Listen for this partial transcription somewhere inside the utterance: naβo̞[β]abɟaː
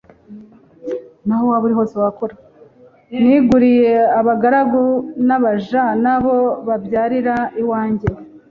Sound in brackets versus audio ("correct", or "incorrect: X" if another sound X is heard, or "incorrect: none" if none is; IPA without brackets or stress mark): correct